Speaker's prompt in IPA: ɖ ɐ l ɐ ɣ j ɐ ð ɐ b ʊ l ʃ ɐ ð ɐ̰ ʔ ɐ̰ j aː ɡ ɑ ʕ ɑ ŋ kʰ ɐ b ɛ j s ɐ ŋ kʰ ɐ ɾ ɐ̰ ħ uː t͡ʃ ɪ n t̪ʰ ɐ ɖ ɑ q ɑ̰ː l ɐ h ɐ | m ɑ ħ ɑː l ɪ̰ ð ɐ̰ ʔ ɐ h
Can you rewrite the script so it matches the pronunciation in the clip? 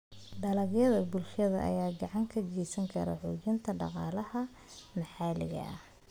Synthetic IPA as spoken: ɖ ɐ l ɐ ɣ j ɐ ð ɐ b ʊ l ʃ ɐ ð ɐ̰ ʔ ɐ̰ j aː ɡ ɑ ʕ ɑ ŋ kʰ ɐ ɡ ɛ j s ɐ ŋ kʰ ɐ ɾ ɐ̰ ħ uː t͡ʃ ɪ n t̪ʰ ɐ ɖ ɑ q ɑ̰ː l ɐ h ɐ | m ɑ ħ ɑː l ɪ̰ ɣ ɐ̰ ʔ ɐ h